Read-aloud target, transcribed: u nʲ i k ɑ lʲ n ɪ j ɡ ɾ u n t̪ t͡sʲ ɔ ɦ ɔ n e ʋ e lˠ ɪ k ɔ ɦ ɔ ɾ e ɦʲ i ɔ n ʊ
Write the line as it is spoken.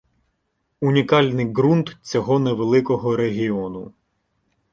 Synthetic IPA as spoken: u nʲ i k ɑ lʲ n ɪ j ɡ ɾ u n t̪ t͡sʲ ɔ ɦ ɔ n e ʋ e lˠ ɪ k ɔ ɦ ɔ ɾ e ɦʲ i ɔ n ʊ